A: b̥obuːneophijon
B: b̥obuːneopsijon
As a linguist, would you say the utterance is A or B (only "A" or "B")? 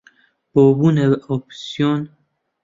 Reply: B